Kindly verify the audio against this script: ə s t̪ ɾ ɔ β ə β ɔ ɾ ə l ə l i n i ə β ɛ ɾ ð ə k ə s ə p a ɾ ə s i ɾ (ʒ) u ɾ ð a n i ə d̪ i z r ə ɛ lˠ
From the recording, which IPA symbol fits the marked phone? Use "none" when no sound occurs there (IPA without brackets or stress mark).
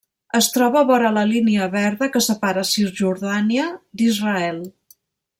ʒ